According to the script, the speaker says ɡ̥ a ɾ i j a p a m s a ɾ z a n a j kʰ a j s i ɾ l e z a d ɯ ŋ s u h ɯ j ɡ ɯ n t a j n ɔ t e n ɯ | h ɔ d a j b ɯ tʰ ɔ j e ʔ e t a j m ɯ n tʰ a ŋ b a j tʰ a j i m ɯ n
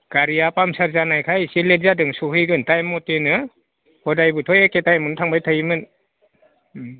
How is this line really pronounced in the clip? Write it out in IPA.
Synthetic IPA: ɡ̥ a ɾ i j a p a m s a ɾ z a n a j kʰ a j s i l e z a d ɯ ŋ s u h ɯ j ɡ ɯ n t a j m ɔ t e n ɯ | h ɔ d a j b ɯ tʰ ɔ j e k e t a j m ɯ n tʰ a ŋ b a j tʰ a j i m ɯ n